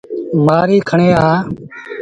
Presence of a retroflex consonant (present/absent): present